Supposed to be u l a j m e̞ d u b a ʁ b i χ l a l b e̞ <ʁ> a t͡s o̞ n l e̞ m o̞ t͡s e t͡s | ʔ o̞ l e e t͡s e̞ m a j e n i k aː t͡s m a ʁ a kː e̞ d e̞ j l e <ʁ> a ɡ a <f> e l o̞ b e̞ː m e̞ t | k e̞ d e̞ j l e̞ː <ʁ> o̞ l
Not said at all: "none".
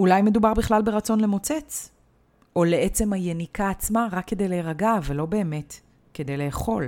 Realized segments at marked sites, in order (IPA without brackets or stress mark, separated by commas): ʁ, ʁ, v, χ